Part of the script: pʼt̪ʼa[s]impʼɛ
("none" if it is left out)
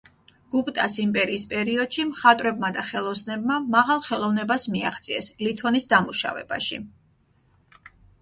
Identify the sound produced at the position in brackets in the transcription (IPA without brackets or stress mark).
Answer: s